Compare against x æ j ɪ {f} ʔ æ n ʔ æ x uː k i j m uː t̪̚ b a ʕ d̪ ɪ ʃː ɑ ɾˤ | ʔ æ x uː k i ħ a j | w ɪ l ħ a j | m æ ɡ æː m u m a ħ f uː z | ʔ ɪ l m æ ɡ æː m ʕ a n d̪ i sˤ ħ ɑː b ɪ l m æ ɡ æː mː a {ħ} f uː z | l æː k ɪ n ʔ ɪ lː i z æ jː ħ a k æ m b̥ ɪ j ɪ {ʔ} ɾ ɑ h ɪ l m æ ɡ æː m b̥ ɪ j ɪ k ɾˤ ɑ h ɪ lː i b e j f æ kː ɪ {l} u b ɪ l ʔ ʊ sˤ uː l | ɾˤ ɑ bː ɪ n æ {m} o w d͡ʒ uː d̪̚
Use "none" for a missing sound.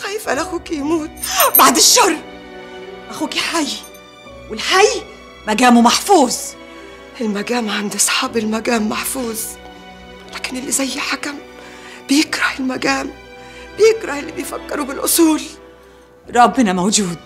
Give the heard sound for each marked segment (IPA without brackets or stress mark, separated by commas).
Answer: f, ħ, k, ɾ, m